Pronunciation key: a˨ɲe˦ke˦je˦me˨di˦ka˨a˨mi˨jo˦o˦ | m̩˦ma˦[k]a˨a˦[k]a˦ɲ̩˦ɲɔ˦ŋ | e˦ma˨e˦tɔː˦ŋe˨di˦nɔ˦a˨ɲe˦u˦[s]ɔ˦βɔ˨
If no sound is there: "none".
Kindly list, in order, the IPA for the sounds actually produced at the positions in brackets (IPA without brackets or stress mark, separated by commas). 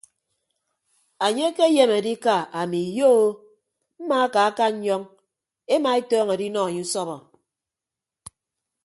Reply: k, k, s